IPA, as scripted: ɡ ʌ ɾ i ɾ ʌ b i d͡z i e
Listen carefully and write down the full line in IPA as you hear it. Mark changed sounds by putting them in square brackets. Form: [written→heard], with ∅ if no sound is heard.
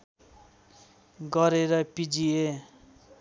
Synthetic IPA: ɡ ʌ ɾ [i→e] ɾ ʌ [b→p] i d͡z i e

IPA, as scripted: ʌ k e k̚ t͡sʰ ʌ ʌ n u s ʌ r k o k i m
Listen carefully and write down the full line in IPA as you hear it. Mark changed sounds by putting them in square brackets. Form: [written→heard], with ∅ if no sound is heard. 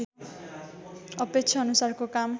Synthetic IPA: ʌ [k→p] e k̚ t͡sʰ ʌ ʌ n u s [ʌ→a] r k o k [i→a] m

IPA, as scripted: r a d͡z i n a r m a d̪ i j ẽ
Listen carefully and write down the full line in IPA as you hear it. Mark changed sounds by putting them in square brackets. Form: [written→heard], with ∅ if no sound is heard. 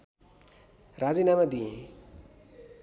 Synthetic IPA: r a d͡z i n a [r→∅] m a d̪ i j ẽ

